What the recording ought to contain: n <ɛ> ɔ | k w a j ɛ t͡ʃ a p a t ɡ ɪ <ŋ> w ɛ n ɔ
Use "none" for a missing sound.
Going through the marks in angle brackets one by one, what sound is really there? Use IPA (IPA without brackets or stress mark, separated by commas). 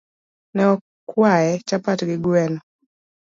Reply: ɛ, ɡ